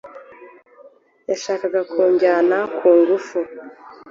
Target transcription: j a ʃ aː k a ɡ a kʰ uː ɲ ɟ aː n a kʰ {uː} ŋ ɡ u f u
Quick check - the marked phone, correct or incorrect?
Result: correct